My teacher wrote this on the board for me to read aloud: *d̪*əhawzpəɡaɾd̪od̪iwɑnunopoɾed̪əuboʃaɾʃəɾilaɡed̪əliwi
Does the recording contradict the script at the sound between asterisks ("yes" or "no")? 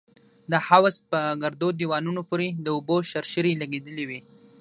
no